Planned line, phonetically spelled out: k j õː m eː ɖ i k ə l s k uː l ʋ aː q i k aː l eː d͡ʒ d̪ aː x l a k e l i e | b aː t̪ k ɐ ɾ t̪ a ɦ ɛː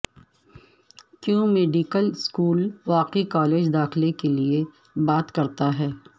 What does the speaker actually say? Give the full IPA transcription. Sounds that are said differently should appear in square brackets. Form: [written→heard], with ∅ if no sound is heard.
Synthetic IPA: k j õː m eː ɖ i k ə l s k uː l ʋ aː q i k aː l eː d͡ʒ d̪ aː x l [a→e] k e l i e | b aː t̪ k ɐ ɾ t̪ a ɦ ɛː

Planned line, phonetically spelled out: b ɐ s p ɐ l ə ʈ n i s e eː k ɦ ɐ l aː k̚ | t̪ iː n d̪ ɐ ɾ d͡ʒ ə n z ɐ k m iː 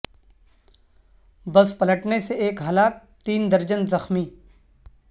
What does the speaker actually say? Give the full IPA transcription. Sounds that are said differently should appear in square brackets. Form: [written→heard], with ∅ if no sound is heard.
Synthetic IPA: b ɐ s p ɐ l ə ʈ n [i→e] s e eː k ɦ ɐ l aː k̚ | t̪ iː n d̪ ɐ ɾ d͡ʒ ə n z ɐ [k→x] m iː

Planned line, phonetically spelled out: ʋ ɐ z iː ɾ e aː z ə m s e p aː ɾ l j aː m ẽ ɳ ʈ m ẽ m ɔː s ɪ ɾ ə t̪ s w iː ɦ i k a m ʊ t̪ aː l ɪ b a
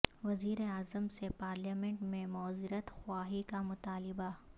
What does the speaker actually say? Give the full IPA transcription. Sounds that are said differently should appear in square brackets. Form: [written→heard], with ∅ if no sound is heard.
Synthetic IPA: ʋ ɐ z iː ɾ e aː z ə m s e p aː ɾ l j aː m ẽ ɳ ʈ m ẽ m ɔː [s→z] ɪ ɾ ə t̪ [s→x] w [iː→aː] ɦ i k a m ʊ t̪ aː l ɪ b a

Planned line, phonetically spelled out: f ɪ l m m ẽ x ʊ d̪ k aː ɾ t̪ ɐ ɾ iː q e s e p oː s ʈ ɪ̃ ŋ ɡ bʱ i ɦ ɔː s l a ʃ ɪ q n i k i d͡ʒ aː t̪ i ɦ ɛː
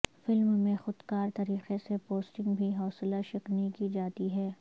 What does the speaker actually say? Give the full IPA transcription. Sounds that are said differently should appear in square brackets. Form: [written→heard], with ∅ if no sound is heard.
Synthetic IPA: f ɪ l m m ẽ x ʊ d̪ k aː ɾ t̪ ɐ ɾ iː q e s e p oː s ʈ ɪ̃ ŋ ɡ bʱ i ɦ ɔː s l a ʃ ɪ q n i k i d͡ʒ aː t̪ i ɦ ɛː

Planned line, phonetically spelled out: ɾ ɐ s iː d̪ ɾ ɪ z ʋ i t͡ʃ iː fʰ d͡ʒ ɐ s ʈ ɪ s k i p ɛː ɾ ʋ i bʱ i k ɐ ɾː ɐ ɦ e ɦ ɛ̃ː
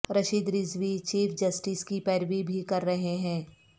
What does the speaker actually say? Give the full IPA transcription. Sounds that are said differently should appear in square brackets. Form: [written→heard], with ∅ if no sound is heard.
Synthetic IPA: ɾ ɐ [s→ʃ] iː d̪ ɾ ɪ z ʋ i t͡ʃ iː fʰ d͡ʒ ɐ s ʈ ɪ s k i p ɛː ɾ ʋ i bʱ i k ɐ ɾː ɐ ɦ e ɦ ɛ̃ː

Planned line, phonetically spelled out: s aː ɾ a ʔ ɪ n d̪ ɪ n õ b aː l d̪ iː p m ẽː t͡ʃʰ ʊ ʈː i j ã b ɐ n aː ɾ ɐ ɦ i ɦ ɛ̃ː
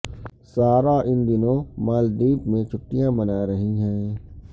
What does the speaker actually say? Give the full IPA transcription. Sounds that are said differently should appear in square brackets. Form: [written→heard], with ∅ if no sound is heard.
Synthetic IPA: s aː ɾ a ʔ ɪ n d̪ ɪ n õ [b→m] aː l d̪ iː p m [ẽː→ẽ] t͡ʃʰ ʊ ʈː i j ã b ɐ n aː ɾ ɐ ɦ i ɦ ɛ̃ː

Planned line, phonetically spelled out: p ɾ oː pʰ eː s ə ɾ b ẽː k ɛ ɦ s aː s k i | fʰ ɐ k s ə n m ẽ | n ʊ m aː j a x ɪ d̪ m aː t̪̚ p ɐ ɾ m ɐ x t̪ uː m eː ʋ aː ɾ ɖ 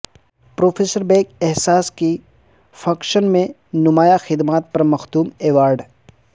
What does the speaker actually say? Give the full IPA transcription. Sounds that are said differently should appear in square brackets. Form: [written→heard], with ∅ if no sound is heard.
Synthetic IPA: p ɾ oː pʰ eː s ə ɾ b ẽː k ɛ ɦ s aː s k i | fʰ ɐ k [s→ʃ] ə n m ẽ | n ʊ m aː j a x ɪ d̪ m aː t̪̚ p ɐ ɾ m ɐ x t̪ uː m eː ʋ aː ɾ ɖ

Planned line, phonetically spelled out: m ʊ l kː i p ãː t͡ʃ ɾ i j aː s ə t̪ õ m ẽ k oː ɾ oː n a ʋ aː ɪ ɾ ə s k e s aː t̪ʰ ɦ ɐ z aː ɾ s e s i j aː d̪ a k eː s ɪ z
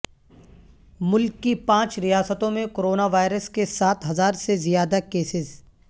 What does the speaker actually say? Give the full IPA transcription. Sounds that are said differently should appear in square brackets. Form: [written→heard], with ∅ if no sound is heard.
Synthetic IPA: m ʊ l kː i p ãː t͡ʃ ɾ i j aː s ə t̪ õ m ẽ k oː ɾ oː n a ʋ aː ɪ ɾ ə s k e s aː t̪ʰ ɦ ɐ z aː ɾ s e [s→z] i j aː d̪ a k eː s ɪ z

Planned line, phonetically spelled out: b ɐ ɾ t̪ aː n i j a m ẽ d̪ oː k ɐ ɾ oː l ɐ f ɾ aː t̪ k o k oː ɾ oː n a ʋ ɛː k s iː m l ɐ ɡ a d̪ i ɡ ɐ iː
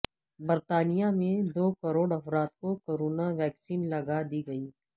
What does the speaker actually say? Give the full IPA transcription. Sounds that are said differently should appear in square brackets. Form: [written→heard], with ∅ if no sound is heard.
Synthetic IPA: b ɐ ɾ t̪ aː n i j a m ẽ d̪ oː k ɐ ɾ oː [l→ɽ] ɐ f ɾ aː t̪ k o k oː ɾ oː n a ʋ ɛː k s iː [m→n] l ɐ ɡ a d̪ i ɡ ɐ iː

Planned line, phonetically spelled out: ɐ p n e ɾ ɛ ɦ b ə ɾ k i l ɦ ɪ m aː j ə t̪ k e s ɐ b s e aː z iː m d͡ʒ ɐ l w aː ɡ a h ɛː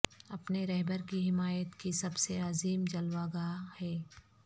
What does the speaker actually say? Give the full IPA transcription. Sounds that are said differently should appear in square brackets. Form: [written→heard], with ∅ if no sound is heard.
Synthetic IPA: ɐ p n e ɾ ɛ ɦ b ə ɾ k i [l→∅] ɦ ɪ m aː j ə t̪ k [e→i] s ɐ b s e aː z iː m d͡ʒ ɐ l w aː ɡ a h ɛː

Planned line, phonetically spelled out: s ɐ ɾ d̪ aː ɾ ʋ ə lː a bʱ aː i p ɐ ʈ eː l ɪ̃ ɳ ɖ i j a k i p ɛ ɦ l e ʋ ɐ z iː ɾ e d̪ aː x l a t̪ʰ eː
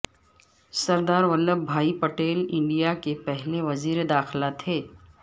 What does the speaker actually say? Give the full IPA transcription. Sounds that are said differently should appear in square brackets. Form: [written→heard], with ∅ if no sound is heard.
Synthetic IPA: s ɐ ɾ d̪ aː ɾ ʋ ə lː [a→ə] bʱ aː i p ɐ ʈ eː l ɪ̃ ɳ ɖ i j a k [i→e] p ɛ ɦ l e ʋ ɐ z iː ɾ e d̪ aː x l a t̪ʰ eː

